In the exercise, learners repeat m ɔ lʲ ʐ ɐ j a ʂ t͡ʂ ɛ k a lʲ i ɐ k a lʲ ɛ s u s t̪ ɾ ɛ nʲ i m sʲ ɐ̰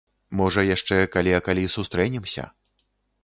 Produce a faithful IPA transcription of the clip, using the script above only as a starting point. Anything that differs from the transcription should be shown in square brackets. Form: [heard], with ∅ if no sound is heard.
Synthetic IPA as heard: m ɔ [∅] ʐ ɐ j a ʂ t͡ʂ ɛ k a lʲ i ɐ k a lʲ [i] s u s t̪ ɾ ɛ nʲ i m sʲ ɐ̰

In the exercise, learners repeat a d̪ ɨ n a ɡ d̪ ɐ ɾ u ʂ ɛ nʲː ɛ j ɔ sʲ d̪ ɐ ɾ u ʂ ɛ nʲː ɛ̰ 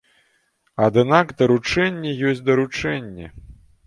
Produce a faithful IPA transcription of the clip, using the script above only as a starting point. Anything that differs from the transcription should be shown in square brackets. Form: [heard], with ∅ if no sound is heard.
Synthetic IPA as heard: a d̪ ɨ n a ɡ d̪ ɐ ɾ u [t͡ʂ] ɛ nʲː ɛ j ɔ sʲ d̪ ɐ ɾ u [t͡ʂ] ɛ nʲː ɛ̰

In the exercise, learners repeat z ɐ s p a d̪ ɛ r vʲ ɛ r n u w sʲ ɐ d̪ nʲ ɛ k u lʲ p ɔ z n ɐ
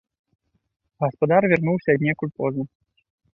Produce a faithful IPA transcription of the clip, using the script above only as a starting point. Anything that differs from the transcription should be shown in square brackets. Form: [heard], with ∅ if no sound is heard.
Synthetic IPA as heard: [ɣ] ɐ s p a d̪ [a] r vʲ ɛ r n u w sʲ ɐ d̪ nʲ ɛ k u lʲ p ɔ z n ɐ

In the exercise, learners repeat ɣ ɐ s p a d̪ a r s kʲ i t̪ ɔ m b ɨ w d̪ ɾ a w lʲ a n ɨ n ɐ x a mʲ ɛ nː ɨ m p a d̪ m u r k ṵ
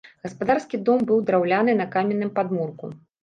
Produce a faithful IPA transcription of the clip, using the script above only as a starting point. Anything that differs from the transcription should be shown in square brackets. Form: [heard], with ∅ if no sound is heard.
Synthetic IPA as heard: ɣ ɐ s p a d̪ a r s kʲ i [d̪] ɔ m b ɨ w d̪ ɾ a w lʲ a n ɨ n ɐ [k] a mʲ ɛ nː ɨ m p a d̪ m u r k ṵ

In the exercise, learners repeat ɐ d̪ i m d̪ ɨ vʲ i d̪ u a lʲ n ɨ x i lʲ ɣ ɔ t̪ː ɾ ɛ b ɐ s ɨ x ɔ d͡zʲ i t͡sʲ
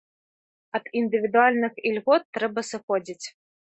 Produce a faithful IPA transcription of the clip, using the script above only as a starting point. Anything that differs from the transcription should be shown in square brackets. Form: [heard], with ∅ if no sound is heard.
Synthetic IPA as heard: ɐ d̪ i [n] d̪ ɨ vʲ i d̪ u a lʲ n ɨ x i lʲ ɣ ɔ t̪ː ɾ ɛ b ɐ s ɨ x ɔ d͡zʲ i t͡sʲ

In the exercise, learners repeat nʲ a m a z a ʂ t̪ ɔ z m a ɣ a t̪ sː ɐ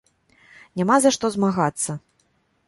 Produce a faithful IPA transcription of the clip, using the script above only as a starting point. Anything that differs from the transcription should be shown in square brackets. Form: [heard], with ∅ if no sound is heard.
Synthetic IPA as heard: nʲ a m a z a ʂ t̪ ɔ z m a ɣ a t̪ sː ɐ

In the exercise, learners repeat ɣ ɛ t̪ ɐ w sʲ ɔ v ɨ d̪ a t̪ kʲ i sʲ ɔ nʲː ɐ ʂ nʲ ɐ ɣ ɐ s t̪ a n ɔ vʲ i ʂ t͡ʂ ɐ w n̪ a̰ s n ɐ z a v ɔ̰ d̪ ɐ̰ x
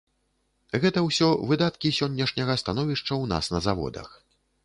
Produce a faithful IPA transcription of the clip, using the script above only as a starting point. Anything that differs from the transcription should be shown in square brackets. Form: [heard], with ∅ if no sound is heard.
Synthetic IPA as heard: ɣ ɛ t̪ ɐ w sʲ ɔ v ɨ d̪ a t̪ kʲ i sʲ ɔ nʲː ɐ ʂ nʲ ɐ ɣ ɐ s t̪ a n ɔ vʲ i ʂ t͡ʂ ɐ w n̪ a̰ s n ɐ z a v ɔ̰ d̪ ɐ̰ x

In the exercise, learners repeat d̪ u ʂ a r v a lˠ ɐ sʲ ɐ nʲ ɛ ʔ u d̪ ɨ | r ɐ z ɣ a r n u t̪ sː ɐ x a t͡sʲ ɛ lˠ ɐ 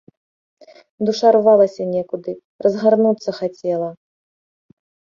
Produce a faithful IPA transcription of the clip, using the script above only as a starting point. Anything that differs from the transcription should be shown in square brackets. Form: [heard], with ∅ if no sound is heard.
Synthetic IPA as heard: d̪ u ʂ a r v a lˠ ɐ sʲ ɐ nʲ ɛ [k] u d̪ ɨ | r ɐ z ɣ a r n u t̪ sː ɐ x a t͡sʲ ɛ lˠ ɐ

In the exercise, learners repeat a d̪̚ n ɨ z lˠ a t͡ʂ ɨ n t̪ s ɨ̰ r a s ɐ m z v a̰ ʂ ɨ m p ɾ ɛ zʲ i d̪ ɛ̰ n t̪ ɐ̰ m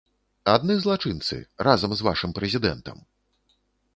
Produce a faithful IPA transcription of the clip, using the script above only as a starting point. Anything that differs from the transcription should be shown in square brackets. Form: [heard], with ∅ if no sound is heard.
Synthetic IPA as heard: a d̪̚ n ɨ z lˠ a t͡ʂ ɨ n t̪ s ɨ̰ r a [z] ɐ m z v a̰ ʂ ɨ m p ɾ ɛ zʲ i d̪ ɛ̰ n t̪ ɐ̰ m

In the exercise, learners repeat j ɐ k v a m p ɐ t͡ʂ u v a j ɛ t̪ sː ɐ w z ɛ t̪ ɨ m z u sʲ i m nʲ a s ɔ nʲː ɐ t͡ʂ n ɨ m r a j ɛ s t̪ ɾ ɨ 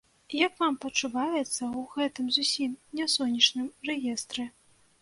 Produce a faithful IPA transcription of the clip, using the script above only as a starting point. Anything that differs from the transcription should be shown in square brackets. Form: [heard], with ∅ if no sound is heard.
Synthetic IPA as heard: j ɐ k v a m p ɐ t͡ʂ u v a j ɛ t̪ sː ɐ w [ɣ] ɛ t̪ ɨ m z u sʲ i m nʲ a s ɔ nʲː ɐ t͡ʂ n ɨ m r [ɛ] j ɛ s t̪ ɾ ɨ

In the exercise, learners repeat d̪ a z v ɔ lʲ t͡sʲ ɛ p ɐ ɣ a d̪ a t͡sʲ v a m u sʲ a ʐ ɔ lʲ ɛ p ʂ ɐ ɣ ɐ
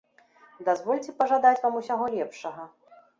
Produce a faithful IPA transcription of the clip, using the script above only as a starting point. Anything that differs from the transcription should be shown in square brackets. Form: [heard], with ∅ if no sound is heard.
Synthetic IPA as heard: d̪ a z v ɔ lʲ t͡sʲ ɛ p ɐ [ʐ] a d̪ a t͡sʲ v a m u sʲ a [ɣ] ɔ lʲ ɛ p ʂ ɐ ɣ ɐ

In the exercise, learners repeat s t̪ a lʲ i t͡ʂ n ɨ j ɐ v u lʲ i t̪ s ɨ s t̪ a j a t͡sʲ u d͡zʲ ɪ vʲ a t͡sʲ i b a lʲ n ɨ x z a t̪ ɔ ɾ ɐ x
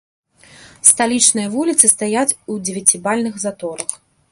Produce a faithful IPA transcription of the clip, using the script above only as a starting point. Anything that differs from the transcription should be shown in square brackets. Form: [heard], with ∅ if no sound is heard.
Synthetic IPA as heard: s t̪ a lʲ i t͡ʂ n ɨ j ɐ v u lʲ i t̪ s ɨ s t̪ a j a t͡sʲ u d͡zʲ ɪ vʲ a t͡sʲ i b a lʲ n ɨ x z a t̪ ɔ ɾ ɐ x

